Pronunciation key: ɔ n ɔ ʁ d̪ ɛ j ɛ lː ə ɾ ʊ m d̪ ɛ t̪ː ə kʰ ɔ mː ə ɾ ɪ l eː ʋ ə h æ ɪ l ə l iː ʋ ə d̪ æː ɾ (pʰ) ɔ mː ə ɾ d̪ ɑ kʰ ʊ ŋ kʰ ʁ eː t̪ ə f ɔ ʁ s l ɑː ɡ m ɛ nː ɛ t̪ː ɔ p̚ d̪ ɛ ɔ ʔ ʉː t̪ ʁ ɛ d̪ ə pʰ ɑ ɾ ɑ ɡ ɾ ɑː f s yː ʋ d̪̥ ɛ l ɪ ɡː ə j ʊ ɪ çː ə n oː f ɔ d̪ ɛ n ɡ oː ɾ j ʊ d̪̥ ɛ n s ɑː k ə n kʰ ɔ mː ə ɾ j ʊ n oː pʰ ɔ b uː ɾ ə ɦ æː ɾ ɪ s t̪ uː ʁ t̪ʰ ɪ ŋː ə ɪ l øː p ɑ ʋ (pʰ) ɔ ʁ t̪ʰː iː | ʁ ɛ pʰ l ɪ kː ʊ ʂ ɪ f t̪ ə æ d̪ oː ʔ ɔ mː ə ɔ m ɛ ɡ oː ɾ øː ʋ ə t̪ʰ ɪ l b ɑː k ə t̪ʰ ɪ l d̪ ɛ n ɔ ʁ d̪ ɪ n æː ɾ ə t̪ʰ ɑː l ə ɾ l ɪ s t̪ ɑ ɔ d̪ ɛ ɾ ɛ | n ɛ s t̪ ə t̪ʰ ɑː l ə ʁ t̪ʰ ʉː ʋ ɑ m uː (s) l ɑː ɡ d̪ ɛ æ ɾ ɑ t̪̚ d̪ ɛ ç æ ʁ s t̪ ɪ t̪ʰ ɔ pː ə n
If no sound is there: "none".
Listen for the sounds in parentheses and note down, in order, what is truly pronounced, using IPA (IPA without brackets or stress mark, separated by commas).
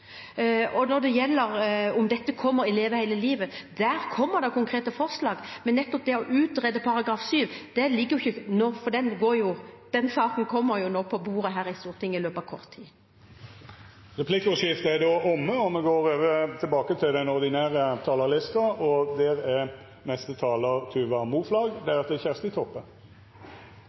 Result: kʰ, kʰ, f